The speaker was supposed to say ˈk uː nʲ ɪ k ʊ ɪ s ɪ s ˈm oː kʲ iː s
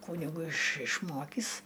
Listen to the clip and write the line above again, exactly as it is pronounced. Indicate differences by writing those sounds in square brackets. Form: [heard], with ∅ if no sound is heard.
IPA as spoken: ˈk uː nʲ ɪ [ɡ] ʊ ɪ [ʃ] ɪ [ʃ] ˈm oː kʲ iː s